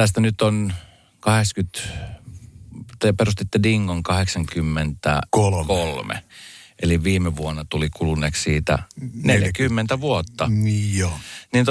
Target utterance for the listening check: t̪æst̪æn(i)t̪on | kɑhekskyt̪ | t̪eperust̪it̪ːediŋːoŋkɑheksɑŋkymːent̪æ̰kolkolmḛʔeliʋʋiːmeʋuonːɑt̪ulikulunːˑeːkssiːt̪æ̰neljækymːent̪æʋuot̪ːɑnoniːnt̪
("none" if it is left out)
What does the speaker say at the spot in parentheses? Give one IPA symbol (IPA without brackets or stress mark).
y